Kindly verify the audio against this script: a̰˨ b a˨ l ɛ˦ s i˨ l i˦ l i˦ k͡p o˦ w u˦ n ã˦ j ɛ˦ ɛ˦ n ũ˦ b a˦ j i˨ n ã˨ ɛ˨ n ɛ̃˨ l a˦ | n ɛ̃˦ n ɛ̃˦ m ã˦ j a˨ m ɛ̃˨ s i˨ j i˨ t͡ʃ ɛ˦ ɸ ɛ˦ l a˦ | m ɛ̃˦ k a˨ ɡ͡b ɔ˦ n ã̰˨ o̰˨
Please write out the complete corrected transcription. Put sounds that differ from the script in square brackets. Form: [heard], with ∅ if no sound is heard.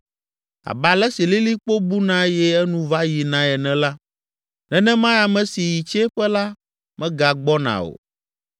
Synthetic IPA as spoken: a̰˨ b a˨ l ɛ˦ s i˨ l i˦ l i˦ k͡p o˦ [b] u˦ n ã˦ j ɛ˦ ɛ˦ n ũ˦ [v] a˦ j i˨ n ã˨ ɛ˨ n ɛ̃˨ l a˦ | n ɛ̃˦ n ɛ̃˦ m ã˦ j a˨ m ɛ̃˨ s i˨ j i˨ t͡ʃ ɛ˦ ɸ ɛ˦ l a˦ | m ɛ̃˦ [ɡ] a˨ ɡ͡b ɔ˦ n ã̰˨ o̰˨